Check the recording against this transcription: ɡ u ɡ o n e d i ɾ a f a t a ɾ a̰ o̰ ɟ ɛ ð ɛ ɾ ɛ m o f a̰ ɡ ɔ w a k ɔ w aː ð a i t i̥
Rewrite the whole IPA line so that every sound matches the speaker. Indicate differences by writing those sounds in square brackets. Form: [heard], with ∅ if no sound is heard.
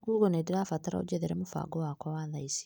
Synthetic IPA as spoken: ɡ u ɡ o n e d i ɾ a f a t a ɾ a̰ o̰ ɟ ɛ ð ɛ ɾ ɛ m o f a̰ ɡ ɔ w a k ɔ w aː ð a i [s] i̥